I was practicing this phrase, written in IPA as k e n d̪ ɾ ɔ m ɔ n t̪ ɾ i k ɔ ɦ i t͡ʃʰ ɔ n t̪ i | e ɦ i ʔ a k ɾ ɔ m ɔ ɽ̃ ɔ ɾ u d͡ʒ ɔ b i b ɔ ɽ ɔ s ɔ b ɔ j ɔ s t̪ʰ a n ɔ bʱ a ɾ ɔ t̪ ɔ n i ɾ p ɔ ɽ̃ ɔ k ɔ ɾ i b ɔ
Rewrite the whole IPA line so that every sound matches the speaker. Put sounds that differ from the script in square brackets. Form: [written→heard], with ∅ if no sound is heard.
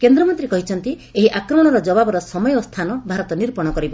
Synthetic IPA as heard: k e n d̪ ɾ ɔ m ɔ n t̪ ɾ i k ɔ ɦ i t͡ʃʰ ɔ n t̪ i | e ɦ i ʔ a k ɾ ɔ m ɔ ɽ̃ ɔ ɾ [u→ɔ] d͡ʒ ɔ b [i→a] b ɔ [ɽ→ɾ] ɔ s ɔ [b→m] ɔ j ɔ s t̪ʰ a n ɔ bʱ a ɾ ɔ t̪ ɔ n i ɾ p ɔ ɽ̃ ɔ k ɔ ɾ i b ɔ